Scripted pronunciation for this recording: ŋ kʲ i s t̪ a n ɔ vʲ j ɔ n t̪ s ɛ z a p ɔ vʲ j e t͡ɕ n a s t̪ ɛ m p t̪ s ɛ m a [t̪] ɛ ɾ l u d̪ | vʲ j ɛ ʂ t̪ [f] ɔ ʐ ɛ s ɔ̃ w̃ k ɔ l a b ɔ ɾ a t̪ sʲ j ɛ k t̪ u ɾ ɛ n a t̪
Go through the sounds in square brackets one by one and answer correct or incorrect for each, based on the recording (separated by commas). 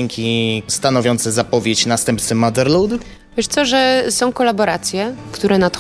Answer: incorrect, incorrect